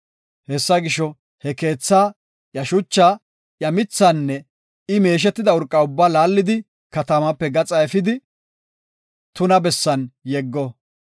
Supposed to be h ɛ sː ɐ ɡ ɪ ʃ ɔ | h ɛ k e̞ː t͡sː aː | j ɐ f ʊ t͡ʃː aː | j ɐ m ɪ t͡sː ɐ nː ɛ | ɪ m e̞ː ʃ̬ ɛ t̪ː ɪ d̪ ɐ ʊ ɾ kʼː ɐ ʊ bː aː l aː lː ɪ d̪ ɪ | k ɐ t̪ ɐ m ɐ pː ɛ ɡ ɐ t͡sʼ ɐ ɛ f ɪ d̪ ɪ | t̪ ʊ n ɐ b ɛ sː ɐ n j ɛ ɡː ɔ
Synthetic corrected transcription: h ɛ sː ɐ ɡ ɪ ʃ ɔ | h ɛ k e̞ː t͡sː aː | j ɐ ʃ ʊ t͡ʃː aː | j ɐ m ɪ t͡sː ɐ nː ɛ | ɪ m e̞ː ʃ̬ ɛ t̪ː ɪ d̪ ɐ ʊ ɾ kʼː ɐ ʊ bː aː l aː lː ɪ d̪ ɪ | k ɐ t̪ ɐ m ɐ pː ɛ ɡ ɐ t͡sʼ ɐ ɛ f ɪ d̪ ɪ | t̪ ʊ n ɐ b ɛ sː ɐ n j ɛ ɡː ɔ